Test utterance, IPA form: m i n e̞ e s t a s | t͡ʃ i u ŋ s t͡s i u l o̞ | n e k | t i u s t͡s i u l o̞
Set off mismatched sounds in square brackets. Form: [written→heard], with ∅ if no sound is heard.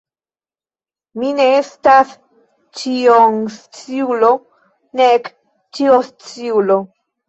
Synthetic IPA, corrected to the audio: m i n e̞ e s t a s | t͡ʃ i [u→o] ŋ s t͡s i u l o̞ | n e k | [t→t͡ʃ] i [u→o] s t͡s i u l o̞